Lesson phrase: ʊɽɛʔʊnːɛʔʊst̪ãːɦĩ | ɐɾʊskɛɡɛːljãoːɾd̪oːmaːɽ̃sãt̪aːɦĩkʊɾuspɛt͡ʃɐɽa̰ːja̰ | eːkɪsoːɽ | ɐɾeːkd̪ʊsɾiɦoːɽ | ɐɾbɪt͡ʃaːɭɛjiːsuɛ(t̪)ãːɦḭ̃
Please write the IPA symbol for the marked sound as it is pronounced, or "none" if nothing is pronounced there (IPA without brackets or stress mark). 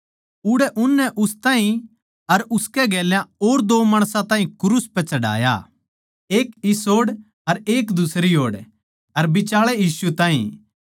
t̪